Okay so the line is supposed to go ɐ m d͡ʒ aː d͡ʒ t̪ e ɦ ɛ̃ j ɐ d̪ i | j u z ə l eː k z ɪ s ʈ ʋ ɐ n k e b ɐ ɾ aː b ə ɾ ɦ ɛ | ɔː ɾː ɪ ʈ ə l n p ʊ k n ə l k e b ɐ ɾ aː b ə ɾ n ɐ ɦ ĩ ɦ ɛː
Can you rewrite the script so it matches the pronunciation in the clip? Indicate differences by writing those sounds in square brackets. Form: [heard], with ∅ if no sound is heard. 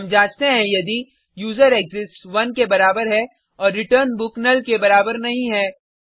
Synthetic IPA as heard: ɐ m d͡ʒ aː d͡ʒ t̪ e ɦ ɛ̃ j ɐ d̪ i | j [uː] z ə [ɾ] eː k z ɪ s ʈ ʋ ɐ n k e b ɐ ɾ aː b ə ɾ ɦ ɛ | ɔː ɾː ɪ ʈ ə [ɾ] n [b] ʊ k n ə l k e b ɐ ɾ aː b ə ɾ n ɐ ɦ ĩ ɦ ɛː